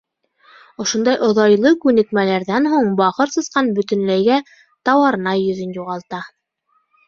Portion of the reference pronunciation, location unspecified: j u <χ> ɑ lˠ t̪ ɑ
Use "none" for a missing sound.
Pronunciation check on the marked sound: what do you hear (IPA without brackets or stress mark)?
ʁ